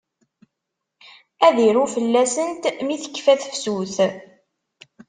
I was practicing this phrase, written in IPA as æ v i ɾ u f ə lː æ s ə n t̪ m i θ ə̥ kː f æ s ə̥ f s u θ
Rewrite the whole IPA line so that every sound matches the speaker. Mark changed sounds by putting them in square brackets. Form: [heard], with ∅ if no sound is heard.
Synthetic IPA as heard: æ [ð] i ɾ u f ə lː æ s ə n t̪ m i θ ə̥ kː f æ [θ] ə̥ f s u θ